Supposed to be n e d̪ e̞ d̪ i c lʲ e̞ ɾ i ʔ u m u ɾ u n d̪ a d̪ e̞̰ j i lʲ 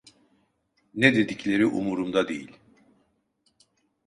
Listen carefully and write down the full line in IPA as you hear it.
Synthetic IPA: n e d̪ e̞ d̪ i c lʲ e̞ ɾ i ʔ u m u ɾ u m d̪ a d̪ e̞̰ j i lʲ